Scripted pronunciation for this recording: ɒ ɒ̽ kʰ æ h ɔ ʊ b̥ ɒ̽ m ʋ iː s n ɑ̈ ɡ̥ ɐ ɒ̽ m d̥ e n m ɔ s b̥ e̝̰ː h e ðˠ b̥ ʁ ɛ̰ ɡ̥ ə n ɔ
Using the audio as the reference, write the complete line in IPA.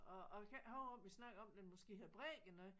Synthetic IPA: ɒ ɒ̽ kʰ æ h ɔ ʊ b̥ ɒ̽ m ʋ i s n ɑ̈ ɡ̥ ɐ ɒ̽ m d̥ e n m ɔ s ɡ̥ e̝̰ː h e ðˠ b̥ ʁ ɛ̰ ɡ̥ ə n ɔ

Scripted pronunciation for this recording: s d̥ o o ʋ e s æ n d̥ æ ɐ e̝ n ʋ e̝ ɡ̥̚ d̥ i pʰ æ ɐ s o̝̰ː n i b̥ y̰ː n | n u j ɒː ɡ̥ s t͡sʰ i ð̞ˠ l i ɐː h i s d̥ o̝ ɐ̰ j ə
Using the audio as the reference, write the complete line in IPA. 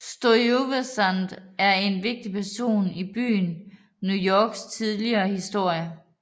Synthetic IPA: s d̥ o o ʋ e s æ n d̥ æ ɐ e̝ n ʋ e̝ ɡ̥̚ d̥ i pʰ æ ɐ s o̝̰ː n i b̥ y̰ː n | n u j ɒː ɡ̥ s t͡sʰ i ð̞ˠ l i ɐː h i s d̥ o̝ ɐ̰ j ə

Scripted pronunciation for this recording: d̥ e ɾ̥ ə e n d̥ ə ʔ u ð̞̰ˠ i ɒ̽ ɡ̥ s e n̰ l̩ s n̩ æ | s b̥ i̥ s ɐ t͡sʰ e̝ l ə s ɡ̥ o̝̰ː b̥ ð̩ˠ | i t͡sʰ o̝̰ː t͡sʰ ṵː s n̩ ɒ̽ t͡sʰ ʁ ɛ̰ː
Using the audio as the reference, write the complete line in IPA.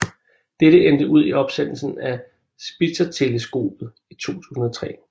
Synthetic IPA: d̥ e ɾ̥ ə e n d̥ ə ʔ u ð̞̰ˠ i ɒ̽ b̥ s e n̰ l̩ s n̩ æ | s b̥ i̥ s ɐ t͡sʰ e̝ l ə s ɡ̥ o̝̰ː b̥ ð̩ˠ | i t͡sʰ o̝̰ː t͡sʰ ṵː s n̩ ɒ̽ t͡sʰ ʁ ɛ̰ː

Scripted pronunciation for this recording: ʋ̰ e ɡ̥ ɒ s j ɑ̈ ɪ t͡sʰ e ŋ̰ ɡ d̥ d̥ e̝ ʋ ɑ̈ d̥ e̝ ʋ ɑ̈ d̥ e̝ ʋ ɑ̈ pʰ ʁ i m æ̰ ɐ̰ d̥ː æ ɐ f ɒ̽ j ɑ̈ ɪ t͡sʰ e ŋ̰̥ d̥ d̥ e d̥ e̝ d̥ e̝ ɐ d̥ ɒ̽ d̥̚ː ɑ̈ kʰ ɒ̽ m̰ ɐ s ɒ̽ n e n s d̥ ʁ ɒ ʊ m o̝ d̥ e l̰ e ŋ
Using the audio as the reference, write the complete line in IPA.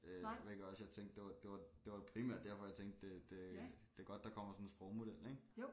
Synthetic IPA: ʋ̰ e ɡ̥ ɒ s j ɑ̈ ɪ t͡sʰ e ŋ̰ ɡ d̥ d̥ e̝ ʋ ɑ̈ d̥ e̝ ʋ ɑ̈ d̥ e̝ ʋ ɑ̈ pʰ ʁ i m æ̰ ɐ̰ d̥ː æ ɐ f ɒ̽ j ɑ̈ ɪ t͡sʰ e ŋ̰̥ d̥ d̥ e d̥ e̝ d̥ e̝ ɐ ɡ̥ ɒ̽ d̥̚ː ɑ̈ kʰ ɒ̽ m̰ ɐ s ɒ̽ n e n s b̥ ʁ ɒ ʊ m o̝ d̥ e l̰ e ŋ

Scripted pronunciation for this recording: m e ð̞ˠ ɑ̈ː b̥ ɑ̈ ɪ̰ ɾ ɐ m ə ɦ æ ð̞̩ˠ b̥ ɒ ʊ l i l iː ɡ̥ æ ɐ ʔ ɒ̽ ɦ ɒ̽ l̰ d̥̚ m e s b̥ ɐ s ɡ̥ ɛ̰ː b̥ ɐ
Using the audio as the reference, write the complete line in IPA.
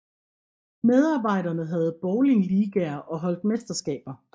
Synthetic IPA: m e ð̞ˠ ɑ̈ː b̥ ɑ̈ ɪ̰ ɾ ɐ n ə ɦ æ ð̞̩ˠ b̥ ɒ ʊ l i l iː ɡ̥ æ ɐ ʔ ɒ̽ ɦ ɒ̽ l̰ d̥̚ m e s d̥ ɐ s ɡ̥ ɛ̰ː b̥ ɐ

